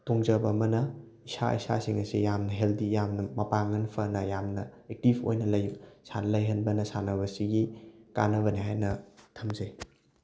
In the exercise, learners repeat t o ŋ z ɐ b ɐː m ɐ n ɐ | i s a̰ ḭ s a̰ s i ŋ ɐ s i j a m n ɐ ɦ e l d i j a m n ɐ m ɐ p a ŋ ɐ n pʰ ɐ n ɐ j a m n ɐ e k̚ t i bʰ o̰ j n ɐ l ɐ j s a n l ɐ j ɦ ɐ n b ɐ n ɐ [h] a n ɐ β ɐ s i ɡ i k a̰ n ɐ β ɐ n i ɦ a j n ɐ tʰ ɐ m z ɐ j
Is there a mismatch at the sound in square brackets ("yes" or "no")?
yes